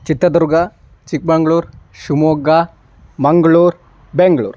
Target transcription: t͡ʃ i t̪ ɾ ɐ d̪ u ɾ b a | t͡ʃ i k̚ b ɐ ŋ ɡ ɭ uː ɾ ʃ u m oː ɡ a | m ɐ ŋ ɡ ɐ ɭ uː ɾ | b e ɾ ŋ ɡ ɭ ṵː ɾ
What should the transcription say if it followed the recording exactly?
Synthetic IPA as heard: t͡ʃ i t̪ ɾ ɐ d̪ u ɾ ɡ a | t͡ʃ i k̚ b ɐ ŋ ɡ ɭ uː ɾ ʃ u m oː ɡ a | m ɐ ŋ ɡ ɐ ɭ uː ɾ | b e ŋ ɡ ɭ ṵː ɾ